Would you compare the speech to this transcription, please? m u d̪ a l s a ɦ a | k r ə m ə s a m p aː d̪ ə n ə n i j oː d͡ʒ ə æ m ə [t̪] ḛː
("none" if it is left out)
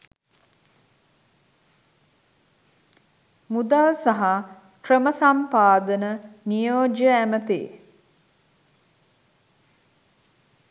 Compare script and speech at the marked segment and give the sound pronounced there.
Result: t̪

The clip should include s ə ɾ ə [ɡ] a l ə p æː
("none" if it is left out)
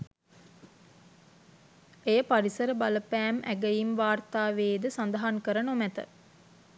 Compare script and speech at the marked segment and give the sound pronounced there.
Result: b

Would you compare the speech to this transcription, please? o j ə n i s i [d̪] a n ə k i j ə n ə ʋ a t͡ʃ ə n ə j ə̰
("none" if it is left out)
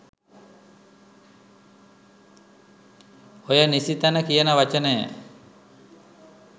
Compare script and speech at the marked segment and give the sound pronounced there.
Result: t̪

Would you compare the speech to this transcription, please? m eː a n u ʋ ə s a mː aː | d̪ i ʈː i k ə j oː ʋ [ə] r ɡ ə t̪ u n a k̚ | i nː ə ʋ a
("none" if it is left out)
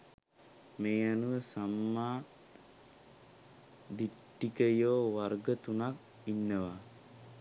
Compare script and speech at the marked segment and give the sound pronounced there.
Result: a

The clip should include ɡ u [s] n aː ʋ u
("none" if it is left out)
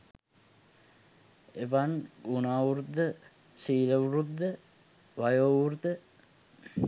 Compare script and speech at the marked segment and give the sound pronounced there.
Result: none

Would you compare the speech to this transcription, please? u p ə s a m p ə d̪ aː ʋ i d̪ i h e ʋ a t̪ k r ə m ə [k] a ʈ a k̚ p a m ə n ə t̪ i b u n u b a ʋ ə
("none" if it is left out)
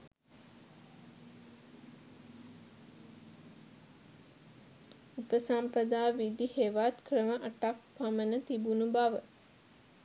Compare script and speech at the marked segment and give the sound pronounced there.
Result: ʔ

